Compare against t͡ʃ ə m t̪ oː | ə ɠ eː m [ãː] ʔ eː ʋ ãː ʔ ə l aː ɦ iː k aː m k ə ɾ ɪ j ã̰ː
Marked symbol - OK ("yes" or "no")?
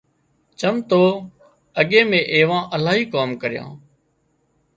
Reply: no